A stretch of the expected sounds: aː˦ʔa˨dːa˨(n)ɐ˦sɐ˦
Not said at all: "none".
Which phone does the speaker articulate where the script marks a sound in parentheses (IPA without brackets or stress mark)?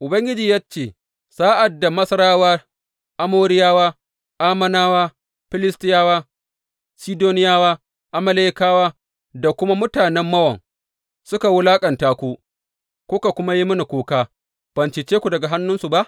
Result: m